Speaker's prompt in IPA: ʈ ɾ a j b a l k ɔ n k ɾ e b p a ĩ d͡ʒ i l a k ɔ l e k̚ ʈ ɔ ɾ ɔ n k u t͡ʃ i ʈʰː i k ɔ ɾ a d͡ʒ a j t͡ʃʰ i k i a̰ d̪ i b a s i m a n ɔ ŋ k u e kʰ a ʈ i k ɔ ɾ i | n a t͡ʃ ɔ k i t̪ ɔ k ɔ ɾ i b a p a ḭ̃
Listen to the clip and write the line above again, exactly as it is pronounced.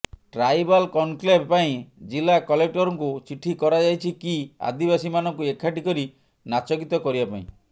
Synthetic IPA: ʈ ɾ a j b a l k ɔ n k l e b p a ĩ d͡ʒ i l a k ɔ l e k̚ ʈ ɔ ɾ ɔ ŋ k u t͡ʃ i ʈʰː i k ɔ ɾ a d͡ʒ a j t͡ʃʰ i k i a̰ d̪ i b a s i m a n ɔ ŋ k u e kʰ a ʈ i k ɔ ɾ i | n a t͡ʃ ɔ k i t̪ ɔ k ɔ ɾ i b a p a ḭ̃